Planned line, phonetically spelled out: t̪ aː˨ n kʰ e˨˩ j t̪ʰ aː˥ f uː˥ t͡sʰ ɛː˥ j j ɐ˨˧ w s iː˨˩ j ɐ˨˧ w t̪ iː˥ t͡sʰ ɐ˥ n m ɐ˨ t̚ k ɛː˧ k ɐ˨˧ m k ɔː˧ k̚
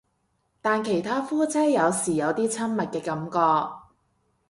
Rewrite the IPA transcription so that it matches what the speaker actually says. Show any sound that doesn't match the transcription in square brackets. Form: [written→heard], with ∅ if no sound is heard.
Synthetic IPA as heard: t̪ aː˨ n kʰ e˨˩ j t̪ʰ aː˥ f uː˥ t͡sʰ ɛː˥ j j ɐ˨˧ w s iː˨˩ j ɐ˨˧ w t̪ iː˥ t͡sʰ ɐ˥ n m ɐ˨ t̚ k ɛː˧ k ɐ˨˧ m k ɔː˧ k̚